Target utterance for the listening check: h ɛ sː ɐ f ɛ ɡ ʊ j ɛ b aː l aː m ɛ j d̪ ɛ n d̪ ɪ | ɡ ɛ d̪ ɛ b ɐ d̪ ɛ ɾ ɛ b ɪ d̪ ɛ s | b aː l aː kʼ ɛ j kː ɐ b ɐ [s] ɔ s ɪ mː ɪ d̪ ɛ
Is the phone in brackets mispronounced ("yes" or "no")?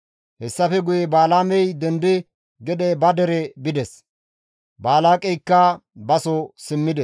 no